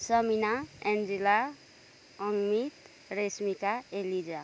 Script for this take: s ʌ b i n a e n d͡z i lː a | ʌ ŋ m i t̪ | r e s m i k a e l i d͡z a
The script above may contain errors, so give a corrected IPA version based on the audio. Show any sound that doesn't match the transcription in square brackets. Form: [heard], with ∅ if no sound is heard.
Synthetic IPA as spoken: s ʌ [m] i n a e n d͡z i [l] a | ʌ ŋ m i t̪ | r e s m i k a e l i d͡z a